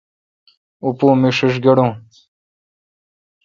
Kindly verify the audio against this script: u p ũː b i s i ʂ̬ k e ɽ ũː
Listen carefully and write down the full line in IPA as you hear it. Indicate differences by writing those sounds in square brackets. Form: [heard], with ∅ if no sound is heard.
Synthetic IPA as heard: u p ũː [m] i [ʂ] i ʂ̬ [ɡ] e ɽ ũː